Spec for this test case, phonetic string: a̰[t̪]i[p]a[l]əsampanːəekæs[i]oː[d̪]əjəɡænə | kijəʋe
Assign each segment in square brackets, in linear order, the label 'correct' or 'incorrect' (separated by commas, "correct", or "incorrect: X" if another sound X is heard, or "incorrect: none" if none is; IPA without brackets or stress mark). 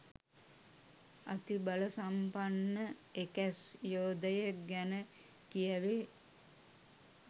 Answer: correct, incorrect: b, correct, incorrect: j, correct